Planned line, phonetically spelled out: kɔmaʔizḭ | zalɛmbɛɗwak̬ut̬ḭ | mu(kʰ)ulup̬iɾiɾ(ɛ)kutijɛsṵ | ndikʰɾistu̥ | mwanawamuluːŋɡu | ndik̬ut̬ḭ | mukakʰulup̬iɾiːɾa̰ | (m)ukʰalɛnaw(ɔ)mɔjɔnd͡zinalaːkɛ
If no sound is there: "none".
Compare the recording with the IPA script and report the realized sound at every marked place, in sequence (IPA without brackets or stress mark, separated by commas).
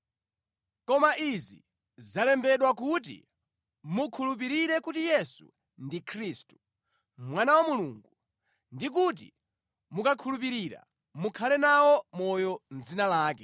kʰ, ɛ, m, ɔ